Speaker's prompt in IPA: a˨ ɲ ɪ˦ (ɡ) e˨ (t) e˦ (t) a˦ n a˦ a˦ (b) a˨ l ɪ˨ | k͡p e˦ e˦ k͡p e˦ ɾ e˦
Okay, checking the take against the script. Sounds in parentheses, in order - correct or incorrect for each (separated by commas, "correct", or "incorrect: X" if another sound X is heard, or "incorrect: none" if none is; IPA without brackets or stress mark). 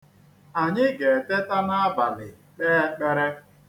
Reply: correct, correct, correct, correct